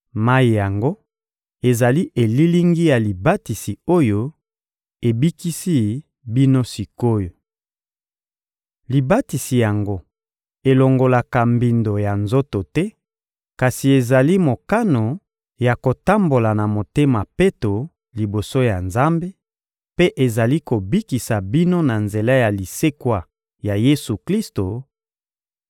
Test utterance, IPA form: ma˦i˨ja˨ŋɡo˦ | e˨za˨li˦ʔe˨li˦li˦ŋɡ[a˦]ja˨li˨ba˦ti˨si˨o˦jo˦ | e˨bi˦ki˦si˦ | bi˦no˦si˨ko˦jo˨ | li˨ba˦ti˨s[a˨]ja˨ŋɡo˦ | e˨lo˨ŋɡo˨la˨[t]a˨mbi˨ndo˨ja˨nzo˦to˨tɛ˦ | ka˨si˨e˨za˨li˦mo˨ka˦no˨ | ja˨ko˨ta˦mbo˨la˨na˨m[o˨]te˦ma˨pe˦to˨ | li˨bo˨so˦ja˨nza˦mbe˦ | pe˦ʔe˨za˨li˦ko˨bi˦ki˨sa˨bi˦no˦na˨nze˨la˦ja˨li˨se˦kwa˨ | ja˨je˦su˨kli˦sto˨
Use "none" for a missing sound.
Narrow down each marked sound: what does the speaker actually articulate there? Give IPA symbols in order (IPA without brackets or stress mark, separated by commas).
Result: i˦, i˨, k, o˨